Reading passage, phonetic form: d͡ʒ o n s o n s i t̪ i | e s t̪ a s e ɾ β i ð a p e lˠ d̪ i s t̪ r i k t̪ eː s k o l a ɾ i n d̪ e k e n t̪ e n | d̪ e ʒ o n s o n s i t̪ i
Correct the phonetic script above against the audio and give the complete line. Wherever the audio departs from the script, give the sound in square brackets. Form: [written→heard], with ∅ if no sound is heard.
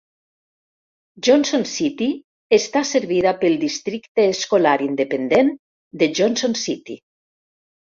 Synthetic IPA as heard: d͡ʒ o n s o n s i t̪ i | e s t̪ a s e ɾ β i ð a p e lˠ d̪ i s t̪ [r→ɾ] i k t̪ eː s k o l a ɾ i n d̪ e [k→p] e n [t̪→d̪] e n | d̪ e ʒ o n s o n s i t̪ i